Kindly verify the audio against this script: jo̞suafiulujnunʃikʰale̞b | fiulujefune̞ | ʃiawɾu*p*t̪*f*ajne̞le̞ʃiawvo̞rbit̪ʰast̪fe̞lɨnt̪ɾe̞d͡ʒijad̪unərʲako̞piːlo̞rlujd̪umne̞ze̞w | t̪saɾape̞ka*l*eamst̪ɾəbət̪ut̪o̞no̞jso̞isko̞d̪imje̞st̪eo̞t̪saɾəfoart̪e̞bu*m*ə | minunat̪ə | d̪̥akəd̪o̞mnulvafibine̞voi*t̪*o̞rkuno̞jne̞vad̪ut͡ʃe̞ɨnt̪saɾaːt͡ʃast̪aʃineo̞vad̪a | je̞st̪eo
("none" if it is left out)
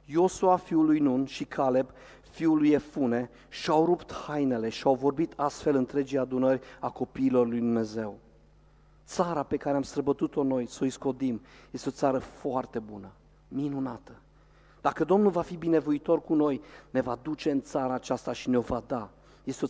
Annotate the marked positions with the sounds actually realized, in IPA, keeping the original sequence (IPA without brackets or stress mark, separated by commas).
p, h, ɾ, n, t̪